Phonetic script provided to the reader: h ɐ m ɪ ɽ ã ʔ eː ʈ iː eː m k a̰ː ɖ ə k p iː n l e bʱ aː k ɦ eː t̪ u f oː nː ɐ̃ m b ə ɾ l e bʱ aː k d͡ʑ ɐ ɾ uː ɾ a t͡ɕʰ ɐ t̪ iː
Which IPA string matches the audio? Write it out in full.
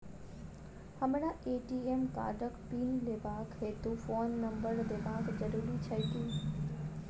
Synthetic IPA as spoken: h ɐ m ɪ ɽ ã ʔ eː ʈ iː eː m k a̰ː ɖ ə k p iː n l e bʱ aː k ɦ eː t̪ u f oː nː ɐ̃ m b ə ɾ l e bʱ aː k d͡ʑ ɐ ɾ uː ɾ i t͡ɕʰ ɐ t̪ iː